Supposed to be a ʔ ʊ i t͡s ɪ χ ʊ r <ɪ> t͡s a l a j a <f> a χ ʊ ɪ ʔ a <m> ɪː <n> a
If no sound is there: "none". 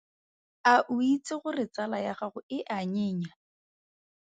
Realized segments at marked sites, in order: ɪ, χ, ɲ, ɲ

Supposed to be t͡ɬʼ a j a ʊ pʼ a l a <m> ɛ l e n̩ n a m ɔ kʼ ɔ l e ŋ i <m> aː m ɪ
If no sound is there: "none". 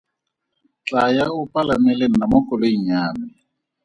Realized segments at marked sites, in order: m, ɲ

